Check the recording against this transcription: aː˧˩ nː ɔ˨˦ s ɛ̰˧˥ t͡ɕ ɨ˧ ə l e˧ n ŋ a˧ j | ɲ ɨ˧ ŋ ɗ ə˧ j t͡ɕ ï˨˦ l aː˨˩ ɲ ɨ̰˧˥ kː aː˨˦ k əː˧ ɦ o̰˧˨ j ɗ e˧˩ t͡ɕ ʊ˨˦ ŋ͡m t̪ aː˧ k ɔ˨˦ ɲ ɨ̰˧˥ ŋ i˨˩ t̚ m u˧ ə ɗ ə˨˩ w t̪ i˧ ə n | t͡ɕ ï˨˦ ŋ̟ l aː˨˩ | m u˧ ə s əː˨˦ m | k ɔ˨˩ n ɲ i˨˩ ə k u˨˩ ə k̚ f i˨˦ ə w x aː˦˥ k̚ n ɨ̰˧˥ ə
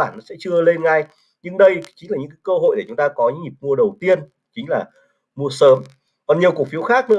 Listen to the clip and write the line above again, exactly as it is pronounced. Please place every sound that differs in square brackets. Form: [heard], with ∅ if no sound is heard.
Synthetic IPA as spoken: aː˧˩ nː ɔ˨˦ s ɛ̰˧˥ t͡ɕ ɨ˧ ə l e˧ n ŋ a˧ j | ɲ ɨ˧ ŋ ɗ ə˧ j t͡ɕ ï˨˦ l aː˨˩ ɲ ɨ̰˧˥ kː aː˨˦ k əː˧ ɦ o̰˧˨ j ɗ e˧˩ t͡ɕ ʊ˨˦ ŋ͡m t̪ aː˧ k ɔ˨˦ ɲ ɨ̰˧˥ ŋ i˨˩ [p̚] m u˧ ə ɗ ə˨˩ w t̪ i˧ ə n | t͡ɕ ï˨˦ ŋ̟ l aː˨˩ | m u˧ ə s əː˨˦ m | k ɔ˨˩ n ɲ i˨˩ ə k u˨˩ ə k̚ f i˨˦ ə w x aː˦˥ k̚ n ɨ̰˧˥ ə